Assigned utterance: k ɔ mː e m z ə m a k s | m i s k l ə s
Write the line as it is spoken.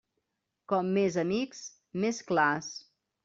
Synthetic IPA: k ɔ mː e z ə m i k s | m e s k l a s